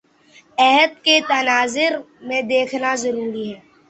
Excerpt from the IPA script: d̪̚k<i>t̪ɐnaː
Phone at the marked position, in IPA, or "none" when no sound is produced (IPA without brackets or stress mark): e